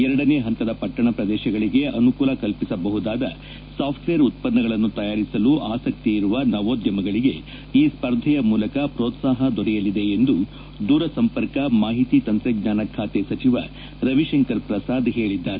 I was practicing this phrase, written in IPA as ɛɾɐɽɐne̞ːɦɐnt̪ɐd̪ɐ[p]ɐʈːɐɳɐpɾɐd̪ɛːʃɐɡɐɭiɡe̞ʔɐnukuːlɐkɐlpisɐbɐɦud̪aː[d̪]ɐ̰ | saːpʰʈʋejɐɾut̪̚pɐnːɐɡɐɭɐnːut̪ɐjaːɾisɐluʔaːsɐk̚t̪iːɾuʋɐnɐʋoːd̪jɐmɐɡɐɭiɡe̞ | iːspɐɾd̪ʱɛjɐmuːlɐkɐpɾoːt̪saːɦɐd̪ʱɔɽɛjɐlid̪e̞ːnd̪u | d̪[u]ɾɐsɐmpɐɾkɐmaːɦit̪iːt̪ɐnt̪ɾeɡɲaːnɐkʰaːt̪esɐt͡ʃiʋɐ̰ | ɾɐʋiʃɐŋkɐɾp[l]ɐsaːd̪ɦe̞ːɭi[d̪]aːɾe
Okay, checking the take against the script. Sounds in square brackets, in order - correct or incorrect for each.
correct, correct, incorrect: uː, incorrect: ɾ, incorrect: d̪ː

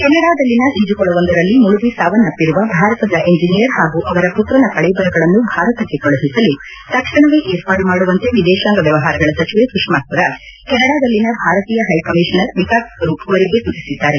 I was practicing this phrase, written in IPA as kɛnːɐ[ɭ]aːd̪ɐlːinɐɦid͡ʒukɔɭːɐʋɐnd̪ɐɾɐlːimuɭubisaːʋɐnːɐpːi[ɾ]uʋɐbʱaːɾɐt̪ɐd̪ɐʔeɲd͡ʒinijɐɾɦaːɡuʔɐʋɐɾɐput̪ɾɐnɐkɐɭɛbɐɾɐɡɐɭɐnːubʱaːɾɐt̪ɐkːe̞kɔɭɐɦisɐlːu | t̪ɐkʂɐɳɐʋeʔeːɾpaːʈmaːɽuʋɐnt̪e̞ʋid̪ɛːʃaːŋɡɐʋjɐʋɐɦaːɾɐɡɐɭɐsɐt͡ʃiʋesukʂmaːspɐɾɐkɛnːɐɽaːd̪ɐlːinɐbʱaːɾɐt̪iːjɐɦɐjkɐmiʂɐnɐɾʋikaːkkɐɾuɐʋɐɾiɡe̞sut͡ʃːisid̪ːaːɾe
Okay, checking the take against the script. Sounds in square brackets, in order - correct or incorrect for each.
incorrect: ɽ, correct

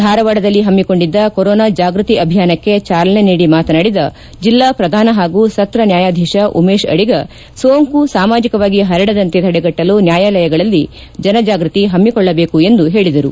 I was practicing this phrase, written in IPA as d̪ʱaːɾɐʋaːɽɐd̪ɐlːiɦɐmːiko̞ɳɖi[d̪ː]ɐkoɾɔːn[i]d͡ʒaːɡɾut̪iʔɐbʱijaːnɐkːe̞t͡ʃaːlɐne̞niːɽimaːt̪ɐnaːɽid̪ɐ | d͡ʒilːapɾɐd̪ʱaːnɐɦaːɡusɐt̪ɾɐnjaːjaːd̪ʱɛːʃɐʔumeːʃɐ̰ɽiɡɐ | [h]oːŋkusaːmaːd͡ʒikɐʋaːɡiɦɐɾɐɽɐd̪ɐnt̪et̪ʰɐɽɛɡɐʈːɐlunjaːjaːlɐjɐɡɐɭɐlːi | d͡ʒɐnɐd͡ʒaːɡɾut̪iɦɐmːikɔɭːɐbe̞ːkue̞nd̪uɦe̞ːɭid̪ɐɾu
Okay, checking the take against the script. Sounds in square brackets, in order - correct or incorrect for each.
correct, incorrect: a, incorrect: s

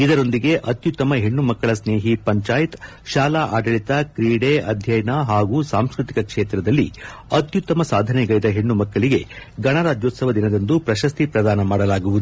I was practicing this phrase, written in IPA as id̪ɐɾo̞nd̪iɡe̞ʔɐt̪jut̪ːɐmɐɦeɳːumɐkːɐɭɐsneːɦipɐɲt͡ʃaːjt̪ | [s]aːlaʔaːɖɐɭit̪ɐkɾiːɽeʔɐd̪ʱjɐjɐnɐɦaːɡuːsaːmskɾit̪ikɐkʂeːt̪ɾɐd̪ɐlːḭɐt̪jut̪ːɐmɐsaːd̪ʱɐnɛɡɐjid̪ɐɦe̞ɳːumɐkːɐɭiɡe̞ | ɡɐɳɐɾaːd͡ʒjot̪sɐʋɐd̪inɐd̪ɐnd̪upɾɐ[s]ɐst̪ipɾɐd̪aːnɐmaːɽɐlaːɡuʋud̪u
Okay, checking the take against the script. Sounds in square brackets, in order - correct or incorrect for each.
incorrect: ʃ, incorrect: ʃ

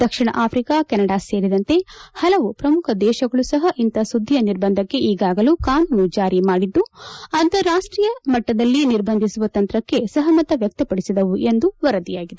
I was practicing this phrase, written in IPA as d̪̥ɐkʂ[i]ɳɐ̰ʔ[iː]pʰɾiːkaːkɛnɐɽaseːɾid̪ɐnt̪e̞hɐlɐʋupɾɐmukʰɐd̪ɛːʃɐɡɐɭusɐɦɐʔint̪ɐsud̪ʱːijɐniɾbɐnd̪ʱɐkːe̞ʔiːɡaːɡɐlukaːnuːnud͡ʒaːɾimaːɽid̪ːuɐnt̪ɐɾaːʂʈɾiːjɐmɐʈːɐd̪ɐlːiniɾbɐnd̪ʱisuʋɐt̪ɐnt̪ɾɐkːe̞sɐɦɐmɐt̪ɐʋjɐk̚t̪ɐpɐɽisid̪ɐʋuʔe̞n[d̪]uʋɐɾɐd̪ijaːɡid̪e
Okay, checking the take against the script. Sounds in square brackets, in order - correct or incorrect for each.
correct, incorrect: aː, correct

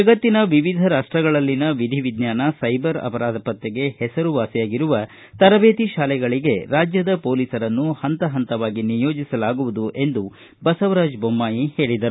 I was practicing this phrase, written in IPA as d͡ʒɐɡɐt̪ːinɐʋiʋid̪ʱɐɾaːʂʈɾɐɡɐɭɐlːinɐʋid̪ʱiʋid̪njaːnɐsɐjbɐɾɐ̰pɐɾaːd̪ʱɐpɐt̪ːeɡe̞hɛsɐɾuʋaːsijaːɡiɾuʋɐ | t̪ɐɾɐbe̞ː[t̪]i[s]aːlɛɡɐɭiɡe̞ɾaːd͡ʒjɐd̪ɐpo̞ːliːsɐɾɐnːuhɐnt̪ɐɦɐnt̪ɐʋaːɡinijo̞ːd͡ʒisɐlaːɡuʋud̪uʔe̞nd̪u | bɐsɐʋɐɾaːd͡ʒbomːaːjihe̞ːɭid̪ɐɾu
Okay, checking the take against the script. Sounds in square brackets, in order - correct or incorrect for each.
correct, incorrect: ʃ

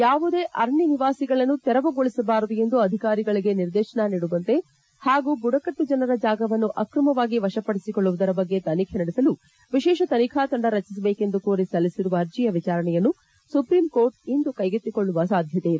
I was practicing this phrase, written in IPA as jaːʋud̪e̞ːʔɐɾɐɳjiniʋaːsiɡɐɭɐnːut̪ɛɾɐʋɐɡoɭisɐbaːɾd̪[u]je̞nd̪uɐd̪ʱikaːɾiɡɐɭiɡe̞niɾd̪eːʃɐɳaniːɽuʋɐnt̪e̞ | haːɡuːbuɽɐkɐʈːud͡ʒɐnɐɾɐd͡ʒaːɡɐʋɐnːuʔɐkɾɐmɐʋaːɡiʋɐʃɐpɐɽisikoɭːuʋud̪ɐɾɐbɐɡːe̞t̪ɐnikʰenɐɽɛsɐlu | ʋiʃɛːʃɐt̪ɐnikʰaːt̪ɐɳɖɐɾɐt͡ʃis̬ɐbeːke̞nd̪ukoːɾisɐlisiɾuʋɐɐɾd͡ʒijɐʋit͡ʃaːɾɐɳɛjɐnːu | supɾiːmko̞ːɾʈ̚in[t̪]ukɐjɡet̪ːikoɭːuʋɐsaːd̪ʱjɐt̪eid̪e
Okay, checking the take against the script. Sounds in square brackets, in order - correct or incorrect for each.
correct, incorrect: d̪

